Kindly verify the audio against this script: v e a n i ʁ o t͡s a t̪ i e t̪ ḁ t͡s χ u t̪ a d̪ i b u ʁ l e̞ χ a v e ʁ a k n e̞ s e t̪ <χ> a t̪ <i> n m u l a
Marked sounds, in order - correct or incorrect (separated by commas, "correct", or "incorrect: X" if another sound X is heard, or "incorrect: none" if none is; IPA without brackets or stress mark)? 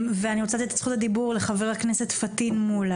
incorrect: f, correct